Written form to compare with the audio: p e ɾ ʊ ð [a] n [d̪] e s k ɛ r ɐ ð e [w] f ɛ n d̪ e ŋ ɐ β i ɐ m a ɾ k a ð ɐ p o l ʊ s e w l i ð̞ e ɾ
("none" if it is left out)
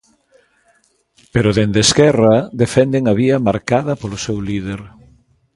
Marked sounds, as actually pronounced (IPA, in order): e, d̪, none

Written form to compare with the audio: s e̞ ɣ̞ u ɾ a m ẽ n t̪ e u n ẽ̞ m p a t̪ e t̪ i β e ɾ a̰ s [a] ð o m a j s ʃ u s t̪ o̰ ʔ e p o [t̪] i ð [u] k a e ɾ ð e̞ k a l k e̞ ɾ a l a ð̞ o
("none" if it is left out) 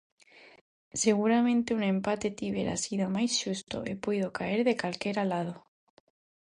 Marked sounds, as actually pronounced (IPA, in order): i, none, o

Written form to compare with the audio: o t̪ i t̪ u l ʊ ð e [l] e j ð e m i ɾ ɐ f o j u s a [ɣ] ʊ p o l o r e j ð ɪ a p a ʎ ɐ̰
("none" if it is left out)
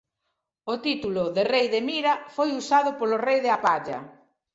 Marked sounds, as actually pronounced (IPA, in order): r, ð

